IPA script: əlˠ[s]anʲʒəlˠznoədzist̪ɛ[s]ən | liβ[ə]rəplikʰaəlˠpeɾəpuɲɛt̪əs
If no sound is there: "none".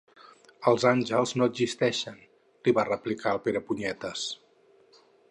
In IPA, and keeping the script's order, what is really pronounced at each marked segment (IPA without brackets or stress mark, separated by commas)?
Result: z, ʃ, a